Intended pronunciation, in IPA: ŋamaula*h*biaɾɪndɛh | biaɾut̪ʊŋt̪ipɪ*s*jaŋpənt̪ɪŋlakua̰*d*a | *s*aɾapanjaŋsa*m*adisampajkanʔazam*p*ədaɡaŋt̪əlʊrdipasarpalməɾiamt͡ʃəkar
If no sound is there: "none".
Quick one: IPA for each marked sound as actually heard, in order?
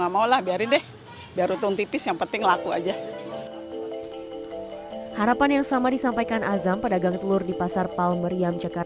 h, s, d͡ʒ, h, m, p

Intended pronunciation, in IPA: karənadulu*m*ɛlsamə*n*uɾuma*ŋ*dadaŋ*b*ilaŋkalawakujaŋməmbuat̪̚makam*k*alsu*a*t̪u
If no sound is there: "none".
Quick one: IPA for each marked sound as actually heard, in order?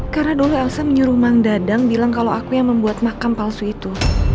none, ɲ, ŋ, b, p, i

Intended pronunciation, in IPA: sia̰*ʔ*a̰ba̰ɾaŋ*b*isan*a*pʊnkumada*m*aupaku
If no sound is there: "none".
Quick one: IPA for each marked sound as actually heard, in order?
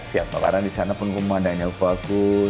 p, d, a, ɲ

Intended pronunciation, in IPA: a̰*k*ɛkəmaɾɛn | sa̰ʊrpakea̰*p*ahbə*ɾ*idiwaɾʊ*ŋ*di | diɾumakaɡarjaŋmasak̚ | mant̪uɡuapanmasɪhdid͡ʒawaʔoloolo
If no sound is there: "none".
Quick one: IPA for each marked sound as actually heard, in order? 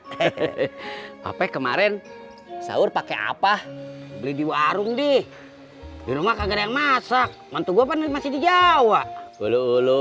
p, p, l, ŋ

